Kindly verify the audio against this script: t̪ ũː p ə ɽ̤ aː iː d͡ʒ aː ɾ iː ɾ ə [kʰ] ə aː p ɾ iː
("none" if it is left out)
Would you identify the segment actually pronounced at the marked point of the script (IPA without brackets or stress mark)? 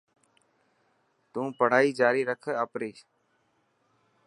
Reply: kʰ